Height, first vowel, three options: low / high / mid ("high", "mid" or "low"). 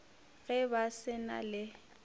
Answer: mid